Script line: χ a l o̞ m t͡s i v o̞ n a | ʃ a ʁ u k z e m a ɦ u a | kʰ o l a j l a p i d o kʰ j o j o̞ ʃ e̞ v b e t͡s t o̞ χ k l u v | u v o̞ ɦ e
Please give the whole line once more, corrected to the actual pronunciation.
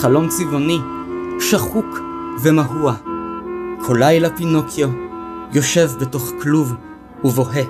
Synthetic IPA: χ a l o̞ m t͡s i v o̞ n i | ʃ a χ u k v e m a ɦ u a | kʰ o l a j l a p i n o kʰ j o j o̞ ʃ e̞ v b e t o̞ χ k l u v | u v o̞ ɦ e